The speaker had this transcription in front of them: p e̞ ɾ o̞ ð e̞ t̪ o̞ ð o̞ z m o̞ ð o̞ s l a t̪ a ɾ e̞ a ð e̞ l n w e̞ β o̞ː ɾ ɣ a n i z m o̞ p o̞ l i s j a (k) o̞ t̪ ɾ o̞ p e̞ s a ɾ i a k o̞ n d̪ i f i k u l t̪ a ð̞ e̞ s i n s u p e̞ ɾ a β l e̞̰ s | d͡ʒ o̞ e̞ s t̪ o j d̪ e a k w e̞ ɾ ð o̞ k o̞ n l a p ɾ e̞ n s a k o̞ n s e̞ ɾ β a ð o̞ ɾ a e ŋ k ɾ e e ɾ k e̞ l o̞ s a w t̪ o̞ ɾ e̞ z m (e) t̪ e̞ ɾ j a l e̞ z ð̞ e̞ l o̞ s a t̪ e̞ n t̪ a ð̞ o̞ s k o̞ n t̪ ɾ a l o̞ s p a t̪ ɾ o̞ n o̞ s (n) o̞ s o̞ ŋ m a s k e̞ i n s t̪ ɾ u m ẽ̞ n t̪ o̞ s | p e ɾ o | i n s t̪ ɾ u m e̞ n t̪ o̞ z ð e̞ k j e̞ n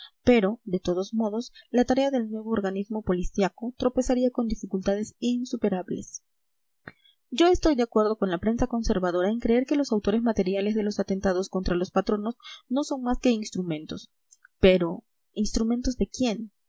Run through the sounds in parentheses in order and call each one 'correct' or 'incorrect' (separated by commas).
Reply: correct, incorrect, correct